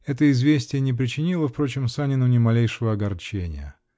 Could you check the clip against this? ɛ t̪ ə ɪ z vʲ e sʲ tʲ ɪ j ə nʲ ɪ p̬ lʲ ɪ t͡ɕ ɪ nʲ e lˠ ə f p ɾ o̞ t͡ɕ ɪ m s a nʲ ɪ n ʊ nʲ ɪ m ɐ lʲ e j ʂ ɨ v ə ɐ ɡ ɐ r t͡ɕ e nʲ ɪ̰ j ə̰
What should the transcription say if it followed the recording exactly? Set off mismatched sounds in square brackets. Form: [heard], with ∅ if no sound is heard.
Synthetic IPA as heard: ɛ t̪ ə ɪ z vʲ e sʲ tʲ ɪ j ə nʲ ɪ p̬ [ɾʲ] ɪ t͡ɕ ɪ nʲ [i] lˠ ə f p ɾ o̞ t͡ɕ ɪ m s a nʲ ɪ n ʊ nʲ ɪ m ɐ lʲ e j ʂ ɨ v ə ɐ ɡ ɐ r t͡ɕ e nʲ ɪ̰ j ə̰